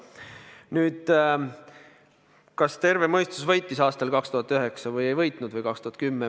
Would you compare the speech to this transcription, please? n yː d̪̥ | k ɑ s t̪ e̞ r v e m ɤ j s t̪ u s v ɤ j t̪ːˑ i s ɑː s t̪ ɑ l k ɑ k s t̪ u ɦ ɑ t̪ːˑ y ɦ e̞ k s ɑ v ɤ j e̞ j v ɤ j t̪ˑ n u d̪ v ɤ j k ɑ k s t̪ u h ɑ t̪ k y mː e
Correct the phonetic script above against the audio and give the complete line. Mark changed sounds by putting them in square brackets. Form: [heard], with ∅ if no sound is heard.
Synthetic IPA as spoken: n yː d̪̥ | k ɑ s t̪ e̞ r v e m ɤ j s t̪ u s v ɤ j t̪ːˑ i s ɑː s t̪ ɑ l k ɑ k s t̪ u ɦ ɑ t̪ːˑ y ɦ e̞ k s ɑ v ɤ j e̞ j v ɤ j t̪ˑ n u d̪ v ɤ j k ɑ k s t̪ u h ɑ t̪ k y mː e